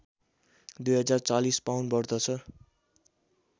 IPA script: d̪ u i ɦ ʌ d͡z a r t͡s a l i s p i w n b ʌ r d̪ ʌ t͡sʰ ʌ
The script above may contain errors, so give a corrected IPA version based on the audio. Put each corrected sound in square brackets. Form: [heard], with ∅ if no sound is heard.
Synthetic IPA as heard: d̪ u [j] ɦ ʌ d͡z a r t͡s a l i s p [a] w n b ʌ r d̪ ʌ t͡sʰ ʌ